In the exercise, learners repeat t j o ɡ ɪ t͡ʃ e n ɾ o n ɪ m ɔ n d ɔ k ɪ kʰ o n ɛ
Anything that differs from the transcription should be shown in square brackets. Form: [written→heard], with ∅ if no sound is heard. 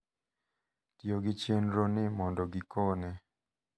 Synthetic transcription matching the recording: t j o ɡ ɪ t͡ʃ e n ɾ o n ɪ m ɔ n d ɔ [k→ɡ] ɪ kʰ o n ɛ

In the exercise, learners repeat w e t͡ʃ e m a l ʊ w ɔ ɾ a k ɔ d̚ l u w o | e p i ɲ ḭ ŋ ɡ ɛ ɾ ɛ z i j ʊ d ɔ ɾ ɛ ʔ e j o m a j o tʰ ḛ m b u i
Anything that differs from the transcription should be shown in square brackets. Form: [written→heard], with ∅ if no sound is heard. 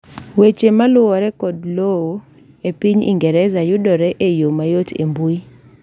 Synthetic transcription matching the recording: w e t͡ʃ e m a l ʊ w ɔ ɾ [a→ɛ] k ɔ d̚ l [u→o] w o | e p i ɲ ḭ ŋ ɡ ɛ ɾ ɛ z [i→a] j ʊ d ɔ ɾ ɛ ʔ e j o m a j o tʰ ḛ m b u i

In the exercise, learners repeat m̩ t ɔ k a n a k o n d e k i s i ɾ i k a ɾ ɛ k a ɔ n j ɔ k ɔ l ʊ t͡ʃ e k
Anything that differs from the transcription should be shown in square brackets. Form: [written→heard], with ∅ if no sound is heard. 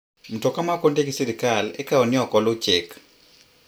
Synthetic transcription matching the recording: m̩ t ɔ k a [n→m] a k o n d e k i s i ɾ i k a [ɾ→l] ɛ k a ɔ n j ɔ k ɔ l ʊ t͡ʃ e k

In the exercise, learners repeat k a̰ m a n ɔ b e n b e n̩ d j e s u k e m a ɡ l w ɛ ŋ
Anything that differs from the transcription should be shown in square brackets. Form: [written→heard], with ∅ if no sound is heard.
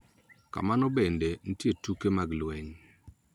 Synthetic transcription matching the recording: k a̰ m a n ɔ b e n [b→d] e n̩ [d→t] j e [s→t] u k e m a ɡ l w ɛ [ŋ→ɲ]

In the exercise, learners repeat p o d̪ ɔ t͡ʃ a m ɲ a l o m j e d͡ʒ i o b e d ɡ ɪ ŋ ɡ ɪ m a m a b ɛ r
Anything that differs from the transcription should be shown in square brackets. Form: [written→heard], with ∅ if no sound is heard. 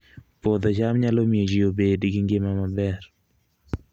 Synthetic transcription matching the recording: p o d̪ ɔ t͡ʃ a m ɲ a l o m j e d͡ʒ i o b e d ɡ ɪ ŋ ɡ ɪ m a m a b ɛ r

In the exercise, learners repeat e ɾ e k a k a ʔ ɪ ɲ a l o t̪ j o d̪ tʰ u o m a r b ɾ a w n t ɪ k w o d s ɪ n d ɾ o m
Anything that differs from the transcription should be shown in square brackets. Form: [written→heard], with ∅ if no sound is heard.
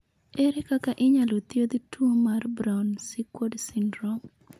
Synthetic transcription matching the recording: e ɾ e k a k a ʔ ɪ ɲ a l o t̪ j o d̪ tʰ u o m a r b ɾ a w n [t→s] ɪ k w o d s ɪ n d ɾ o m

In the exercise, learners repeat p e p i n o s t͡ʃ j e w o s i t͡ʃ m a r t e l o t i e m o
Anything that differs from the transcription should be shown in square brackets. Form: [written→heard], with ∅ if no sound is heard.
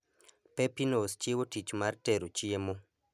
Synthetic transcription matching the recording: p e p i n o s t͡ʃ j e w o [s→t] i t͡ʃ m a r t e [l→ɾ] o [t→t͡ʃ] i e m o

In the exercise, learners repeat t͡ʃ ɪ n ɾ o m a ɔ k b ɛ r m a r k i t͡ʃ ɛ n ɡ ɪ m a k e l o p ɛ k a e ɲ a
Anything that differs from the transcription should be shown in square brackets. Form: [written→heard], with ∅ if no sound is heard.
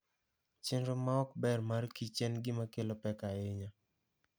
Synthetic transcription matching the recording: t͡ʃ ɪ n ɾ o m a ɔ k b ɛ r m a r k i t͡ʃ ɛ n ɡ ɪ m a k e l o p ɛ k a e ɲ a

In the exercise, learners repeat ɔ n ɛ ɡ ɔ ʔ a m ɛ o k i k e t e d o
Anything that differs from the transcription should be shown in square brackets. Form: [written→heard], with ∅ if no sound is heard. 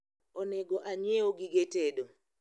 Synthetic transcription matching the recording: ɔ n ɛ ɡ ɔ ʔ a [m→ɲ] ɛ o [k→ɡ] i [k→ɡ] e t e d o

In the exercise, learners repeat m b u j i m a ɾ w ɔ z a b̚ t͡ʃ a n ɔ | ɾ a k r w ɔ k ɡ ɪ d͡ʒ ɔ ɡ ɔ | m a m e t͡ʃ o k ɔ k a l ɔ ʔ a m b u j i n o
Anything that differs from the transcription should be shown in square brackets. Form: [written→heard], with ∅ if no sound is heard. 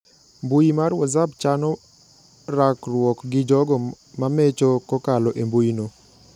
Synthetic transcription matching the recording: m b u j i m a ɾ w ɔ z a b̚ t͡ʃ a n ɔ | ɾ a k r w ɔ k ɡ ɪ d͡ʒ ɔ ɡ ɔ | m a m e t͡ʃ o k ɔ k a l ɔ ʔ [a→e] m b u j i n o

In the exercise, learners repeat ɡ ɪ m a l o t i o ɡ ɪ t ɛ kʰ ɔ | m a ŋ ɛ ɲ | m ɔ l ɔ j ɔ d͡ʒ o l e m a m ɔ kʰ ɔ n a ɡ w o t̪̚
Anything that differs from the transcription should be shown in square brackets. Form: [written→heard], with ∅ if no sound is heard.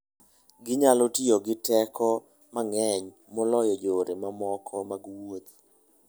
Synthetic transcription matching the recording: ɡ ɪ [m→ɲ] a l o t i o ɡ ɪ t ɛ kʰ ɔ | m a ŋ ɛ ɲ | m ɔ l ɔ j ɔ d͡ʒ o [l→ɾ] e m a m ɔ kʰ ɔ [n→m] a ɡ w o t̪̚

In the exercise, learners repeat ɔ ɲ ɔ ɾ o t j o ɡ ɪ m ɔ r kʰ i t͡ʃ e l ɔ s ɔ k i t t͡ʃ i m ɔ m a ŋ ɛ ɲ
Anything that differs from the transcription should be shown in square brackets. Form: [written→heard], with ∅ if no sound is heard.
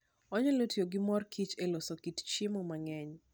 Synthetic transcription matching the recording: ɔ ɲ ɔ [ɾ→l] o t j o ɡ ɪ m ɔ r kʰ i t͡ʃ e l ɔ s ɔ k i t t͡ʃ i m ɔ m a ŋ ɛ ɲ

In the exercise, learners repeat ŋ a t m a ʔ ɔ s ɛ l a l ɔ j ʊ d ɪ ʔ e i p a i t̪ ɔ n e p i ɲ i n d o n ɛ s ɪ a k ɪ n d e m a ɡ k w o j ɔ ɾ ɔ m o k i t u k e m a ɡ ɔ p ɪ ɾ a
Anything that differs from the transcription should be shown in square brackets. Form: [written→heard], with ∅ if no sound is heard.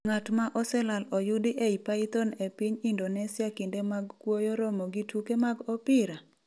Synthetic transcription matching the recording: ŋ a t m a ʔ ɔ s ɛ l a l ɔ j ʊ d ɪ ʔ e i p a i t̪ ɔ n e p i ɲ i n d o n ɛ s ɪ a k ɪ n d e m a ɡ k w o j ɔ ɾ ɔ m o [k→ɡ] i t u k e m a ɡ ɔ p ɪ ɾ a

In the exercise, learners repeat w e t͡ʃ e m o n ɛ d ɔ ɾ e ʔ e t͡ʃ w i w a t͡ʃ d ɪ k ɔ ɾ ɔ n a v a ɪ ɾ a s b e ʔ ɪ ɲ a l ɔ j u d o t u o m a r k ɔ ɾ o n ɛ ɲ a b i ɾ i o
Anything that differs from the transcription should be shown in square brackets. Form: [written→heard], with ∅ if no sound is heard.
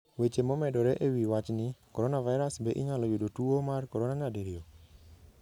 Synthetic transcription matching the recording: w e t͡ʃ e m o [n→m] ɛ d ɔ ɾ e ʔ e [t͡ʃ→∅] w i w a t͡ʃ [d→n] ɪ k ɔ ɾ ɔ n a v a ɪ ɾ a s b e ʔ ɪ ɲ a l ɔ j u d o t u o m a r k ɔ ɾ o n [ɛ→a] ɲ a [b→d] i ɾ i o

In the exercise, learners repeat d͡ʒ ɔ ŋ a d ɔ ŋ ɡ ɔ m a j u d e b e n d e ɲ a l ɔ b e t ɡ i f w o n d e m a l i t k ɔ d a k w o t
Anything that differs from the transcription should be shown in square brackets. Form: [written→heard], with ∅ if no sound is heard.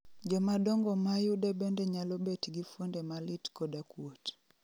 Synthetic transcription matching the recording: d͡ʒ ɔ [ŋ→m] a d ɔ ŋ ɡ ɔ m a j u d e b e n d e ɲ a l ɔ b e t ɡ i f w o n d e m a l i t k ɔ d a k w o t

